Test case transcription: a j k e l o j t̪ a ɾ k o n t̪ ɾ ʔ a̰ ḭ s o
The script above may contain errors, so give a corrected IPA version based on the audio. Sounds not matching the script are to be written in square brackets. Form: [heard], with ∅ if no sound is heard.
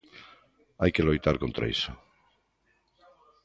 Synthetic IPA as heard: a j k e l o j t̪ a ɾ k o n t̪ ɾ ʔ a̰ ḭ s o